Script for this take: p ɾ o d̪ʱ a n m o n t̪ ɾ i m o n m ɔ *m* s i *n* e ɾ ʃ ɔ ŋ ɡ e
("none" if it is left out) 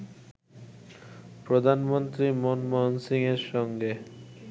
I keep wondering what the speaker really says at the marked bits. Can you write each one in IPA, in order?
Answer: n, ŋ

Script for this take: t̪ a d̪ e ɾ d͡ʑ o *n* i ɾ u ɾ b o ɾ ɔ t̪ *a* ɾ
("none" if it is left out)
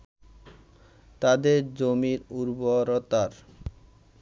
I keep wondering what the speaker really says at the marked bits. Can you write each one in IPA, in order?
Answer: m, a

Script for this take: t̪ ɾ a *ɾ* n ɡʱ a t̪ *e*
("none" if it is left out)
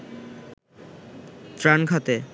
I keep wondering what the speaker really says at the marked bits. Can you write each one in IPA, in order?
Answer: none, e

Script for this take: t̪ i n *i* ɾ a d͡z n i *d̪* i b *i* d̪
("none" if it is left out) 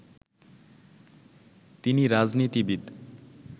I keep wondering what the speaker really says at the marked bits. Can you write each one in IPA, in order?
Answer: i, t̪, i

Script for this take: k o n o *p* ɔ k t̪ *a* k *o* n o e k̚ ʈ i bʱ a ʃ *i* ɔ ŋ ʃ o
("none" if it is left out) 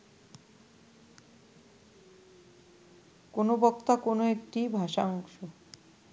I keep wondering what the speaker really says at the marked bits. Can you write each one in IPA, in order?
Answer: b, a, o, a

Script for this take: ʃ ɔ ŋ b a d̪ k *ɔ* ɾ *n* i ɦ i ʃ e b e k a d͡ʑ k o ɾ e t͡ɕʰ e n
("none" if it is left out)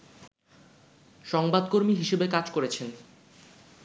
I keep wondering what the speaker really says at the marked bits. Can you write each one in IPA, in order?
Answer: o, m

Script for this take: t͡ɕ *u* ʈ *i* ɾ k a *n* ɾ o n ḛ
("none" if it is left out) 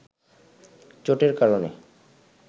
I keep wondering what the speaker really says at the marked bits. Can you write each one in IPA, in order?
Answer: o, e, none

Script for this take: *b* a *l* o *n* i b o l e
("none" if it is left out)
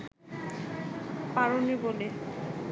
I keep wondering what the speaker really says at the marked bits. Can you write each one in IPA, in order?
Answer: p, ɹ, n

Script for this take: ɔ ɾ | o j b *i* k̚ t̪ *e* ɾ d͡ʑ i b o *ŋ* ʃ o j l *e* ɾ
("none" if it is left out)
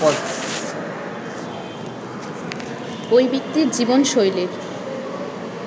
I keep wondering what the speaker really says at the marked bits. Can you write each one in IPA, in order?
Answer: i, i, n, e

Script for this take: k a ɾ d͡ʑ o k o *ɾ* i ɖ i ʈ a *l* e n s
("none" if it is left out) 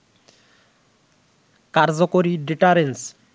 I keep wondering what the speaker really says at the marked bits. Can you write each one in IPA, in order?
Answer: ɾ, ɾ

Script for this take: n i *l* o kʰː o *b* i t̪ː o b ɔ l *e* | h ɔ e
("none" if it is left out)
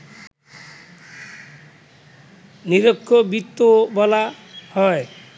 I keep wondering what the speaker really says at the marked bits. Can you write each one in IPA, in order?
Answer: ɾ, b, a

